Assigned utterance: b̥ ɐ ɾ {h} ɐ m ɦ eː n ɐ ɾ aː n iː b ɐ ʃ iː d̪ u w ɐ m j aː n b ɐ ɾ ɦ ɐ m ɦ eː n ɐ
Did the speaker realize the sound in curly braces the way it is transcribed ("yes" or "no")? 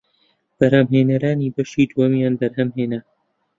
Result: yes